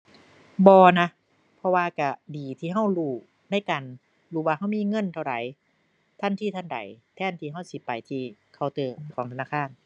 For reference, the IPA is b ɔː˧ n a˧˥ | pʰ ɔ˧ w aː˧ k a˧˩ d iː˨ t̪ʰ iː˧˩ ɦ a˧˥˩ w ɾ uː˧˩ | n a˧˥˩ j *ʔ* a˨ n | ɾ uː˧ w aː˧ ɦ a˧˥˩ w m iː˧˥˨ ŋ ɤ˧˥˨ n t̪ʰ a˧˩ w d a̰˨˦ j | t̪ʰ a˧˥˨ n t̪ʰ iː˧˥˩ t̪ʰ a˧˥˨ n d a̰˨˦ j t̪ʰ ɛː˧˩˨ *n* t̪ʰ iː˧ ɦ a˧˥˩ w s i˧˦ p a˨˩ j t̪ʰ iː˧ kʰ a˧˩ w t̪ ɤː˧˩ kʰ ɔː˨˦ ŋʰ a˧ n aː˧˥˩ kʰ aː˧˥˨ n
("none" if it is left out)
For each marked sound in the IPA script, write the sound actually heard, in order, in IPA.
k, n

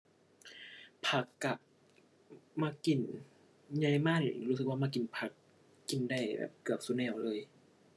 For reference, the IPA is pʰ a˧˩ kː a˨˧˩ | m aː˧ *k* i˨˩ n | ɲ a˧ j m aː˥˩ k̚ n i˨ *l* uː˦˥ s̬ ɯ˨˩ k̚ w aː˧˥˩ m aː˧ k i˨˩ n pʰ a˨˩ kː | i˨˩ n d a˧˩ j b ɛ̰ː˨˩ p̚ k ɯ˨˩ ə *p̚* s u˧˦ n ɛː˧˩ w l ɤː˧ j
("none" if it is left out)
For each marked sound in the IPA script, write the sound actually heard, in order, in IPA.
k, ɾ, p̚

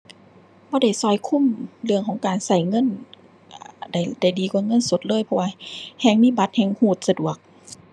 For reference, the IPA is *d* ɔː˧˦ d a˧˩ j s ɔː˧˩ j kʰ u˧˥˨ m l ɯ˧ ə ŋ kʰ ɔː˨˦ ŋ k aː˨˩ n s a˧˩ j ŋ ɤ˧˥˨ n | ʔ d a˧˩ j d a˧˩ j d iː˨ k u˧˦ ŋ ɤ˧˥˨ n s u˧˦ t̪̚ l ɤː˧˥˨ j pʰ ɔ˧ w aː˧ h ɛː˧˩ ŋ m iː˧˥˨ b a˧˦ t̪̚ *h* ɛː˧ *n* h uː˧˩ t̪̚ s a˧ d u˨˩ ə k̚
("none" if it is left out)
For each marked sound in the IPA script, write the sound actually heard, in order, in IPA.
b, h, ŋ

